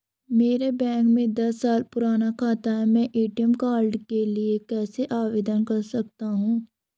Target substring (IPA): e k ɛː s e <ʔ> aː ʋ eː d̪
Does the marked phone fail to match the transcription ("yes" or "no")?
no